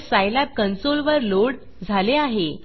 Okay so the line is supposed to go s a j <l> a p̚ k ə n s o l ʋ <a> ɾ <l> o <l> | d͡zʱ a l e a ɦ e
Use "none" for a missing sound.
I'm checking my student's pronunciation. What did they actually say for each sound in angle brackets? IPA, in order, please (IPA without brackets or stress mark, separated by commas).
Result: l, ə, l, ɽ